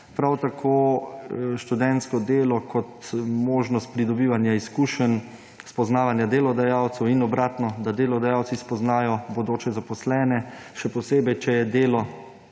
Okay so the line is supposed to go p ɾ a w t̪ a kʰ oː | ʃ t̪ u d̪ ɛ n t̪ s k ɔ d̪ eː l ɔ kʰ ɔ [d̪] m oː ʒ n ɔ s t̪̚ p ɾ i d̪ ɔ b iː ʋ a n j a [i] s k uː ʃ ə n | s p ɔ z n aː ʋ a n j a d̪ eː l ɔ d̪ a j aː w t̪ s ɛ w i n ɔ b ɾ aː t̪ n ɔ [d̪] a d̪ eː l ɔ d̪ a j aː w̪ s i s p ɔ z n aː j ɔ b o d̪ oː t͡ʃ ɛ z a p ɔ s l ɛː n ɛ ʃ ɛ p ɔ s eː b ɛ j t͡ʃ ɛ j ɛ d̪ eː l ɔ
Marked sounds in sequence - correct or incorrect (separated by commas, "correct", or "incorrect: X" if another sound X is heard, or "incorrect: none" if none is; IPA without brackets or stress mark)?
incorrect: t̪, correct, correct